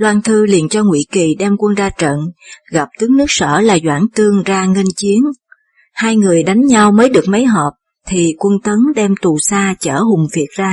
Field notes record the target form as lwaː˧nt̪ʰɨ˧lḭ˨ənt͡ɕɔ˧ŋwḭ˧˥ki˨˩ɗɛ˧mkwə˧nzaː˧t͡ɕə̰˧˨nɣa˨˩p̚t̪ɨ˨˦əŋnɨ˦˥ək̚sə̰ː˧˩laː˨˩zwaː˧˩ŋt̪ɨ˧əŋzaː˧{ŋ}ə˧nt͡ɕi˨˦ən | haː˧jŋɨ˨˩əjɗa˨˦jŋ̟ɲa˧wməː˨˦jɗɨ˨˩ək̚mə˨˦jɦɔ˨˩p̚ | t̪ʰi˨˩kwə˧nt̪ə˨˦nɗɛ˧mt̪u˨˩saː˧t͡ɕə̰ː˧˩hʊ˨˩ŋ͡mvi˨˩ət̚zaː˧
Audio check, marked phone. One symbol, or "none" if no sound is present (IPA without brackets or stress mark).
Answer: ŋ